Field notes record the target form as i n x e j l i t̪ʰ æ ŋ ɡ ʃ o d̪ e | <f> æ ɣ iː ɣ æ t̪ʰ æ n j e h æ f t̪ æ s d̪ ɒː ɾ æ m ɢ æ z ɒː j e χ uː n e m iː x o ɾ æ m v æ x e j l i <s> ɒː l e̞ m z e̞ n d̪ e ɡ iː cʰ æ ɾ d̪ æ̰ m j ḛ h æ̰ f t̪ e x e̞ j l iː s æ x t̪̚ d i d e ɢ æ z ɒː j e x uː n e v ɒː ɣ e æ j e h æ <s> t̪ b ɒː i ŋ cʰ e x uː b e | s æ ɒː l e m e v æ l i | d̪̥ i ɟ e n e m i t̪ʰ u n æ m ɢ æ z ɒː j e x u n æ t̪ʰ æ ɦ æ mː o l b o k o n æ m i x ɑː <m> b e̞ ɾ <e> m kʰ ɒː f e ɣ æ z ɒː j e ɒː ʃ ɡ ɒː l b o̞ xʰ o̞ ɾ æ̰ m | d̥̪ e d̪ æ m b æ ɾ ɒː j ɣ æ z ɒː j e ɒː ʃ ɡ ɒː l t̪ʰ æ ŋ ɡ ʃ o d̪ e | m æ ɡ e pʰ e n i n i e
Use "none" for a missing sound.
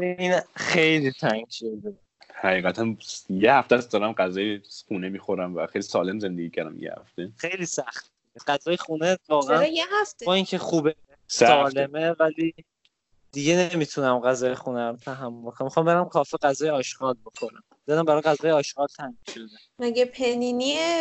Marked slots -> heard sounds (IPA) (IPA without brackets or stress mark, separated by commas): h, s, f, m, æ